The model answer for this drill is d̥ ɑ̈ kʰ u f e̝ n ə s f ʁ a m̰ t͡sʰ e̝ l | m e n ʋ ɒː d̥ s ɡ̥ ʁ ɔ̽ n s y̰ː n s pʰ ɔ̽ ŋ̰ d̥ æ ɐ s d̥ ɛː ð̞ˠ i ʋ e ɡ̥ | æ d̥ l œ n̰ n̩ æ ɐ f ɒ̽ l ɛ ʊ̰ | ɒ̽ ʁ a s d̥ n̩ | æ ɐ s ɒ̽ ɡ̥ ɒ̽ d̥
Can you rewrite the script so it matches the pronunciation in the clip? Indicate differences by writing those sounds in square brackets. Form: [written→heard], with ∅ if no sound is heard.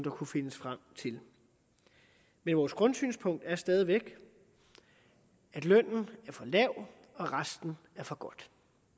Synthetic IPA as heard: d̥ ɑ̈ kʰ u f e̝ n ə s f ʁ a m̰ t͡sʰ e̝ l | m e n ʋ ɒː [d̥→∅] s ɡ̥ ʁ ɔ̽ n s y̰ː n s pʰ ɔ̽ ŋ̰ d̥ æ ɐ s d̥ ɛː ð̞ˠ i ʋ e ɡ̥ | æ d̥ l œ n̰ n̩ æ ɐ f ɒ̽ l ɛ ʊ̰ | ɒ̽ ʁ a s d̥ n̩ | æ ɐ [s→f] ɒ̽ ɡ̥ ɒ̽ d̥

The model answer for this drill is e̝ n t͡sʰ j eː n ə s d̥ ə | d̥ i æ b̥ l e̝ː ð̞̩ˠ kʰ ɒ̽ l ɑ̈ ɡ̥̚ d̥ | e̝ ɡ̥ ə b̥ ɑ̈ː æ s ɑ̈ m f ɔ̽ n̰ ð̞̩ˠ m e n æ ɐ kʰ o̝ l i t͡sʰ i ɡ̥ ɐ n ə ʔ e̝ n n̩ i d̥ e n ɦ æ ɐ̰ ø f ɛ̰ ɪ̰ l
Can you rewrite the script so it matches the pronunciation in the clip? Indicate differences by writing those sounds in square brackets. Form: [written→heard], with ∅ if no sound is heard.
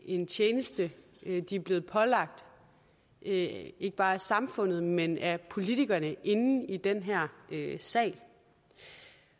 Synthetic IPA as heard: e̝ n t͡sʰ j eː n ə s d̥ ə | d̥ i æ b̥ l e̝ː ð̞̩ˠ [kʰ→pʰ] ɒ̽ l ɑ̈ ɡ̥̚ d̥ | e̝ ɡ̥ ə b̥ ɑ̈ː æ s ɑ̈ m f ɔ̽ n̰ ð̞̩ˠ m e n æ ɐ [kʰ→pʰ] o̝ l i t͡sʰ i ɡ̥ ɐ n ə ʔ e̝ n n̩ i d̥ e n ɦ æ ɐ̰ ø [f→s] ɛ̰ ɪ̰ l

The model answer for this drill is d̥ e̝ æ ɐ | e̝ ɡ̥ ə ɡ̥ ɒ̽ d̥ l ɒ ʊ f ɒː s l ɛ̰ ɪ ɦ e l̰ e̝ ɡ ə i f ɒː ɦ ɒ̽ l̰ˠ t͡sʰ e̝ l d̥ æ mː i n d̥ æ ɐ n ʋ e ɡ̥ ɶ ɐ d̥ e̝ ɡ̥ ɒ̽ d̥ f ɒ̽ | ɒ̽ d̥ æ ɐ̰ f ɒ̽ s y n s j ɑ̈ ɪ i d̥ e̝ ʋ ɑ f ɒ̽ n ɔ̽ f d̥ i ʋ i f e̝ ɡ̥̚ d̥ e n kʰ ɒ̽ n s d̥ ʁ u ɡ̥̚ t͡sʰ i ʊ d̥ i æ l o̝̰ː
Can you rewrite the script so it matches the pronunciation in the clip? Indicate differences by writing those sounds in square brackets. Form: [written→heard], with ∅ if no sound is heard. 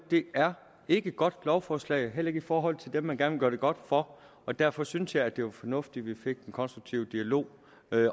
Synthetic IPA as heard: d̥ e̝ æ ɐ | e̝ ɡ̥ ə ɡ̥ ɒ̽ d̥ l ɒ ʊ f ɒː s l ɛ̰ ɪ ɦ e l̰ e̝ ɡ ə i f ɒː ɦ ɒ̽ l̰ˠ t͡sʰ e̝ l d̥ [æ→e] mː [i→æ] n [d̥→ɡ̥] æ ɐ n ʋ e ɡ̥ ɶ ɐ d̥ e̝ ɡ̥ ɒ̽ d̥ f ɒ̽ | ɒ̽ d̥ æ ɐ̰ f ɒ̽ s y n s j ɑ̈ ɪ [i→æ] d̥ e̝ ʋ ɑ f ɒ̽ n ɔ̽ f d̥ i ʋ i f e̝ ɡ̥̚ d̥ e n kʰ ɒ̽ n s d̥ ʁ u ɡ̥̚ t͡sʰ i ʊ d̥ i æ l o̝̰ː

